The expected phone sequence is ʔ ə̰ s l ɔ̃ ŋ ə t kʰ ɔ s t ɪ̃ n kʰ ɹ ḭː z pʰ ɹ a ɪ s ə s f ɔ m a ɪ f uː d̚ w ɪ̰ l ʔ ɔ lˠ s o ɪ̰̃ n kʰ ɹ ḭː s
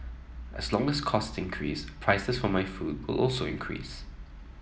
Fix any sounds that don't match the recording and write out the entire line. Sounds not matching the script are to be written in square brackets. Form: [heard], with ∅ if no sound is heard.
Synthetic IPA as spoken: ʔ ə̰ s l ɔ̃ ŋ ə [s] kʰ ɔ s t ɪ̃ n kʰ ɹ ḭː [s] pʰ ɹ a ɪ s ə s f ɔ m a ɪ f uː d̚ w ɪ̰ l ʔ ɔ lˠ s o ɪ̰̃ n kʰ ɹ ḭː s